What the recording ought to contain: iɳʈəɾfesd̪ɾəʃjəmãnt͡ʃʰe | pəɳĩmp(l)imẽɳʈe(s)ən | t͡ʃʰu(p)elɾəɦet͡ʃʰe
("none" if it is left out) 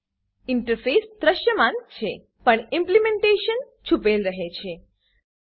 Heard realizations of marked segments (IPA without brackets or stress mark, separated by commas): l, ʃ, p